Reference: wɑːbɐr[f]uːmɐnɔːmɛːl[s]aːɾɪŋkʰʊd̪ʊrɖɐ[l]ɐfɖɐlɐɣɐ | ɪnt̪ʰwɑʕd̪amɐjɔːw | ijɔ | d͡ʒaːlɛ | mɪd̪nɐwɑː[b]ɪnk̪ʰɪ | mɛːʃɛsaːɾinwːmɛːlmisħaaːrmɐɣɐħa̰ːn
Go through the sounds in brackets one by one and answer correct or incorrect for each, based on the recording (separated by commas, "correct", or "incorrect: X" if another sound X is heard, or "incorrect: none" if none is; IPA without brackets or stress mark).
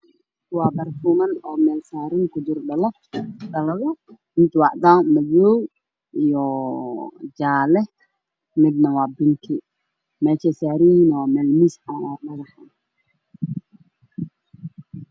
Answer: correct, correct, correct, correct